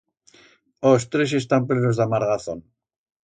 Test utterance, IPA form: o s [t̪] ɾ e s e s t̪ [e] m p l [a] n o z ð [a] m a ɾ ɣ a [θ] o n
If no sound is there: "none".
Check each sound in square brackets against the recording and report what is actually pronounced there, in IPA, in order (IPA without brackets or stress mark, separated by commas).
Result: t̪, a, e, a, θ